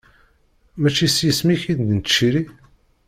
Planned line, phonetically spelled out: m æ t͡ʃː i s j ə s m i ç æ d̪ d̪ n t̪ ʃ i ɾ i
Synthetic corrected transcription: m æ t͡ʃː i s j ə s m i ç i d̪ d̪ n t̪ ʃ i ɾ i